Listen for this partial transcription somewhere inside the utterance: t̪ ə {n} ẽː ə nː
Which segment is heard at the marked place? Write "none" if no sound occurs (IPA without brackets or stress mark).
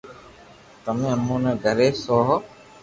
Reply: m